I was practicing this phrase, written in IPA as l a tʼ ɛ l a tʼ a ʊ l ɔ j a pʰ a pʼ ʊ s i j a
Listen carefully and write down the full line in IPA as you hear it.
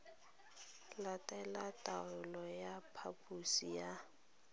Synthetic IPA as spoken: l a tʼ ɛ l a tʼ a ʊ l ɔ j a pʰ a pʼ u s i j a